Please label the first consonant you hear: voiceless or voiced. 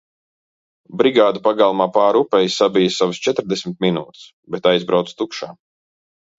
voiced